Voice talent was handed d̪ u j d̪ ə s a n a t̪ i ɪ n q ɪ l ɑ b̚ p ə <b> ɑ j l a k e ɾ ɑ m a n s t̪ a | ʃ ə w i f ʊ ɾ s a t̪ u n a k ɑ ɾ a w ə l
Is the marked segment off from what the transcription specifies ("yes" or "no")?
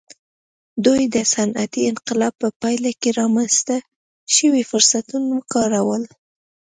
yes